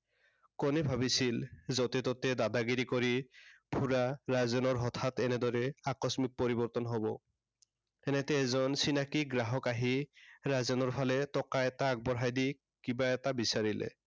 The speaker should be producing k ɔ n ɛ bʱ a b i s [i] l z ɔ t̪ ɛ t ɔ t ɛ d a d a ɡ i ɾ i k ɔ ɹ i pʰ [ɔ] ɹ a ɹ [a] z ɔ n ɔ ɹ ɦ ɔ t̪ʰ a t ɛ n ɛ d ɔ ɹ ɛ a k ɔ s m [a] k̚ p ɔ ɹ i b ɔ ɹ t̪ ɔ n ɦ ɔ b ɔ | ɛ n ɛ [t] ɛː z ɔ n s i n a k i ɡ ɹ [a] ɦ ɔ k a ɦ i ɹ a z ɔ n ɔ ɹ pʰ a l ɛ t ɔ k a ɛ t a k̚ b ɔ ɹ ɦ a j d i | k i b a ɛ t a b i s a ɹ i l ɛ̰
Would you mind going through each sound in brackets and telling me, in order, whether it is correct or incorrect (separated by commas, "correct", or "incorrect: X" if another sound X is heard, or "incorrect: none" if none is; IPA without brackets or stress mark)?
correct, incorrect: u, correct, incorrect: i, correct, correct